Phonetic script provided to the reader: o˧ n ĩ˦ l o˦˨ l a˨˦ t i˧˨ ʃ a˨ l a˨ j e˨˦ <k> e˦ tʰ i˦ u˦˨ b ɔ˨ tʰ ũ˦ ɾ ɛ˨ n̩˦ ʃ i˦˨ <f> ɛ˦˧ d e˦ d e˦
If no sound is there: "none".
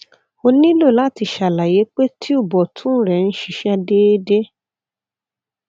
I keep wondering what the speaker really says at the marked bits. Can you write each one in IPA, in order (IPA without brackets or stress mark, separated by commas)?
k͡p, ʃ